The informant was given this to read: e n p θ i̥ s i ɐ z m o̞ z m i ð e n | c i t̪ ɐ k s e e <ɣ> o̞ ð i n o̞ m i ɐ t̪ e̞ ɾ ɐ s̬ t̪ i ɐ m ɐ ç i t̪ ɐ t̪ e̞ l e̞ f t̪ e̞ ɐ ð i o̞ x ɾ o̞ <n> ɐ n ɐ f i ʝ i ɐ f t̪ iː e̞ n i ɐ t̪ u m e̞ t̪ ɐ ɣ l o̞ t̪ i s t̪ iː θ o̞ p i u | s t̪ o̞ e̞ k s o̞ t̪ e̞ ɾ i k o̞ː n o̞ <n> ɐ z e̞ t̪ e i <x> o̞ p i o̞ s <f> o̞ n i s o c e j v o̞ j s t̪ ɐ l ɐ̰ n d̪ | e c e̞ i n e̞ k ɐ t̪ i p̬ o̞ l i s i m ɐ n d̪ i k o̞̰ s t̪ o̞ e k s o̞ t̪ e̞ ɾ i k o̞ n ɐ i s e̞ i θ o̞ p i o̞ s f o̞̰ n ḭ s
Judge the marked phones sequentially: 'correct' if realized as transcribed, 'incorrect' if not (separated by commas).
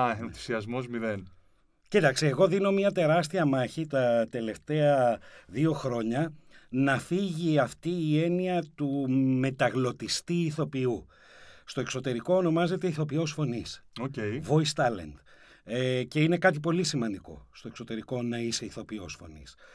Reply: correct, incorrect, incorrect, incorrect, correct